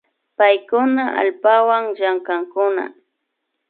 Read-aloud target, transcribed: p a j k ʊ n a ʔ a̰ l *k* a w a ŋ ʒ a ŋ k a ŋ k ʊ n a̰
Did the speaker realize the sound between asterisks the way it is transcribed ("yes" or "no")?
no